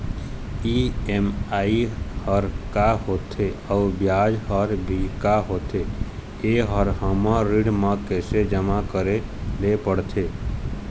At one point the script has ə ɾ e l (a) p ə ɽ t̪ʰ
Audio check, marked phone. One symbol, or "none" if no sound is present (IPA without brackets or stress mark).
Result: e